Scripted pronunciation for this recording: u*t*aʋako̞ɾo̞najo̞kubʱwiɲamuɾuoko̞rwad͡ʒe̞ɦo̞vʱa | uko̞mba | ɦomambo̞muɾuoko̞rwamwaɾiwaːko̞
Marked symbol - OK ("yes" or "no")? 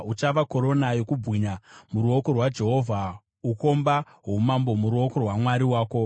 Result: no